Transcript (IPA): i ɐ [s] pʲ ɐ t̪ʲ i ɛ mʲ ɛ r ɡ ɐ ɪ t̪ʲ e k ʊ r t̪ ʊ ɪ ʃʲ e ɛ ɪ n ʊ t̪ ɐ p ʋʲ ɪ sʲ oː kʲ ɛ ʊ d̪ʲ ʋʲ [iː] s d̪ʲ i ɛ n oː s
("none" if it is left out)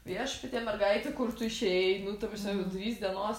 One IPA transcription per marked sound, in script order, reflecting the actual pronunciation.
ʃ, iː

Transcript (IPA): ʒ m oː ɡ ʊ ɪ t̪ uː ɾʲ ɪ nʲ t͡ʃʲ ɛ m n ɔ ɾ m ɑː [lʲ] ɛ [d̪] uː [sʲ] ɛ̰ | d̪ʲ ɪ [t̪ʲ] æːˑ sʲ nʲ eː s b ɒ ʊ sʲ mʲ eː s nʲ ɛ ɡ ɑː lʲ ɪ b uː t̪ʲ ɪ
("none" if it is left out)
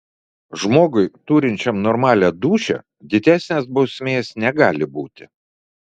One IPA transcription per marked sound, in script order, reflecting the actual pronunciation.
lʲ, d̪, ʃʲ, d̪ʲ

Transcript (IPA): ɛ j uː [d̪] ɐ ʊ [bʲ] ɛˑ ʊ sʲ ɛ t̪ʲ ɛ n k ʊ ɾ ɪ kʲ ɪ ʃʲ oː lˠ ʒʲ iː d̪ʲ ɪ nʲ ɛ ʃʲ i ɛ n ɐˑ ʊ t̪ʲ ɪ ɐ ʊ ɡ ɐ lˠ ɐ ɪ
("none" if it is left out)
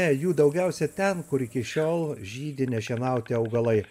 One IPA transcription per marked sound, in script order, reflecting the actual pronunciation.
d̪, ɡʲ

